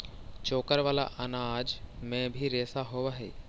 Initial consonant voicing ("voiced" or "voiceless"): voiceless